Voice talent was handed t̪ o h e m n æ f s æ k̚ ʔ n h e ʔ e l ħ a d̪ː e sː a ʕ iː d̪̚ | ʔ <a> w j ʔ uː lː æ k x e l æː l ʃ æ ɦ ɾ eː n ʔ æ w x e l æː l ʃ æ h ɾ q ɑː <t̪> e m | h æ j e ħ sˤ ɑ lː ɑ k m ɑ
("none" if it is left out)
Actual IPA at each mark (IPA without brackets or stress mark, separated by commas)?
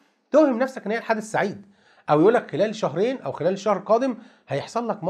æ, d̪